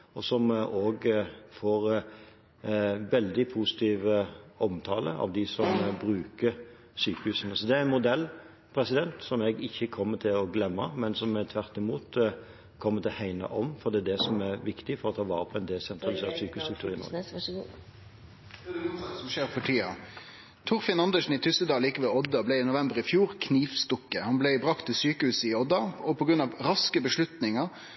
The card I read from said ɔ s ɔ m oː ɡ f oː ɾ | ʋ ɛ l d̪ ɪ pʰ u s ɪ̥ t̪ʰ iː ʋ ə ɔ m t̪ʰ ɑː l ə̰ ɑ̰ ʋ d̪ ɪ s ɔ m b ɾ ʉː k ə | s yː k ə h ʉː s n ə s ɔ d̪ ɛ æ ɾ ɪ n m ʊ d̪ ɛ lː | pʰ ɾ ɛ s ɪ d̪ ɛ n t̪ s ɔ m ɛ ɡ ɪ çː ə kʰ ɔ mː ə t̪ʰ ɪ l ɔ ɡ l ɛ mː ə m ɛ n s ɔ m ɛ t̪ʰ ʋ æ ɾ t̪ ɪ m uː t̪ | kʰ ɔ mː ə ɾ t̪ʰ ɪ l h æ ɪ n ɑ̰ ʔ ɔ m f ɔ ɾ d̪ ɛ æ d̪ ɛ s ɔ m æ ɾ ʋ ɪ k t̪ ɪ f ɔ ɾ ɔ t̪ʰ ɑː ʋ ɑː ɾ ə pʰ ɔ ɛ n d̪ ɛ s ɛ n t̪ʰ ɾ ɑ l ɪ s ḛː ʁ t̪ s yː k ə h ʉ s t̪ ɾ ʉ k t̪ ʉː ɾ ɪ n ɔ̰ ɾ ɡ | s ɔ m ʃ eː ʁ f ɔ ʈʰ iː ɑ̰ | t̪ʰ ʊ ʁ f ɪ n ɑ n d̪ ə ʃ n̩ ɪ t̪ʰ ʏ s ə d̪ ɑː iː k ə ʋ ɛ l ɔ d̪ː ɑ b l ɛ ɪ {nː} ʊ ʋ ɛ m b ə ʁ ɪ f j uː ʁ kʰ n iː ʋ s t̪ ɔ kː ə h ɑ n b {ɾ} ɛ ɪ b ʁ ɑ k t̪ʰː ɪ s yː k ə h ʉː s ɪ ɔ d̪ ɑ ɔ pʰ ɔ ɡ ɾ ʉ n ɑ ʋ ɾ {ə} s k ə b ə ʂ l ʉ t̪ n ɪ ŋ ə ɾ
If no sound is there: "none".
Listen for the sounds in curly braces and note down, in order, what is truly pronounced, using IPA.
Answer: n, l, ɑ

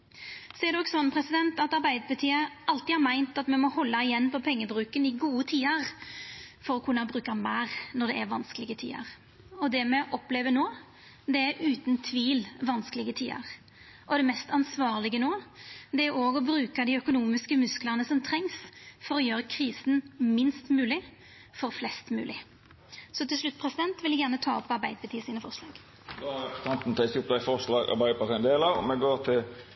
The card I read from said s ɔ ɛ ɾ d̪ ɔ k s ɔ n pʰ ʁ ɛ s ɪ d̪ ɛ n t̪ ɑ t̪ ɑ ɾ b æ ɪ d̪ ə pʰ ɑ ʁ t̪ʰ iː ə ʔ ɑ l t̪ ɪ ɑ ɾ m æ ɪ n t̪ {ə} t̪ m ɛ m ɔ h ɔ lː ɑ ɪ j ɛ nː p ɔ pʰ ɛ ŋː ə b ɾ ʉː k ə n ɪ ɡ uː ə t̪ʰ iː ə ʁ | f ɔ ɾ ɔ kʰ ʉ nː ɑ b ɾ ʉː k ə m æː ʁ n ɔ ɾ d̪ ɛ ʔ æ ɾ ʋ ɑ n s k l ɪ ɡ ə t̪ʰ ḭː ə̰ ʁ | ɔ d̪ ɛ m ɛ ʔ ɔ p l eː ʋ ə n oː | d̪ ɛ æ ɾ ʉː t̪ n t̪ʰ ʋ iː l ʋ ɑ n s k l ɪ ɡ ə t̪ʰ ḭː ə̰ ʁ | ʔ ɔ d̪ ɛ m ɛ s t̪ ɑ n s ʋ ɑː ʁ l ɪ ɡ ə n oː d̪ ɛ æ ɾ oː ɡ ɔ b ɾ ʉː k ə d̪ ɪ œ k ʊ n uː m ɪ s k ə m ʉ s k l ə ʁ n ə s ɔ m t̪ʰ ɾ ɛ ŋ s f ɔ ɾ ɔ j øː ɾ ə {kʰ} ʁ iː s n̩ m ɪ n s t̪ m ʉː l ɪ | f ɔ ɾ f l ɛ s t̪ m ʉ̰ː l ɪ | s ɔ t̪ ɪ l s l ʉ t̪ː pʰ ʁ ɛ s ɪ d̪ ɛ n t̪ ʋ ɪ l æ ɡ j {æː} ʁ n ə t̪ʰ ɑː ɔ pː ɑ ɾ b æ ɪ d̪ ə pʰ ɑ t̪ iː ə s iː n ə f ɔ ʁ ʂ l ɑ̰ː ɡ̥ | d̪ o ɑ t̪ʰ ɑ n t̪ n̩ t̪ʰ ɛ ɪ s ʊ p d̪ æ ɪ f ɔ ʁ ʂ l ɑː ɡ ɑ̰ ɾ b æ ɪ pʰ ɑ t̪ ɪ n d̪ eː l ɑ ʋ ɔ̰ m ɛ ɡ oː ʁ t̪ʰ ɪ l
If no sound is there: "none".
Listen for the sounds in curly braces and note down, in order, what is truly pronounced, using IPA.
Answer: ɑ, kʰ, æ

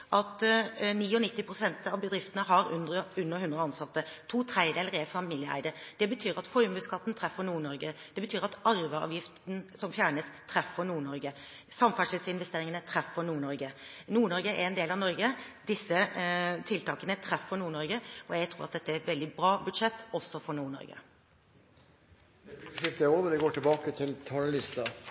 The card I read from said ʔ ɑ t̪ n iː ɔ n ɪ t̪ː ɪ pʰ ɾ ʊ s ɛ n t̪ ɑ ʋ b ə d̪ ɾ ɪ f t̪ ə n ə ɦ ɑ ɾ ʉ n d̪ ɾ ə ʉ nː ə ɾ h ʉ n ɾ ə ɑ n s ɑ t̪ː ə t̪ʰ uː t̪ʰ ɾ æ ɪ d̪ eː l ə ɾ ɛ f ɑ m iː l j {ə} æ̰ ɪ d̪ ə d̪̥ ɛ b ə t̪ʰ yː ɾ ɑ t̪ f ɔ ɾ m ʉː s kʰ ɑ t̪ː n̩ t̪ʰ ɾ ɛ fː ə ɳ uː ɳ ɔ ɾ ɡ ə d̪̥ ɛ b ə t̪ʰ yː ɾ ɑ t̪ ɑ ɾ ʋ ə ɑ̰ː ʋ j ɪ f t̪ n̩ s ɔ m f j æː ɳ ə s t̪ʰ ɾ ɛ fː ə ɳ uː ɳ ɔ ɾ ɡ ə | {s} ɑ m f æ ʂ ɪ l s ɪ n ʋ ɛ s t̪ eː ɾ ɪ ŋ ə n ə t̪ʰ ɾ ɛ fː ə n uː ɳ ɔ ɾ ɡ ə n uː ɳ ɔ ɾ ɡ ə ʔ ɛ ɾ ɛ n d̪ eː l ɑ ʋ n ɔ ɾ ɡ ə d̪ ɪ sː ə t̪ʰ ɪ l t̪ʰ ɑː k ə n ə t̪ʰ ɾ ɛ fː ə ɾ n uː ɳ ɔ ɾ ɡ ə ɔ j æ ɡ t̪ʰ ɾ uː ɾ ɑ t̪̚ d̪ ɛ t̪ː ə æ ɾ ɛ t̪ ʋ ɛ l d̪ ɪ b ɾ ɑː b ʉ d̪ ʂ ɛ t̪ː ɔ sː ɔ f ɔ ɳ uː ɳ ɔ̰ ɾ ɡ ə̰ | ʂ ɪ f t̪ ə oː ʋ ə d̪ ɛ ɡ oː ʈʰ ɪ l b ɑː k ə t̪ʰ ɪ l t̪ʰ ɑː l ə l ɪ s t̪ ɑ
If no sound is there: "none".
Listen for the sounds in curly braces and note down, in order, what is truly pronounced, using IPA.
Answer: ə, s

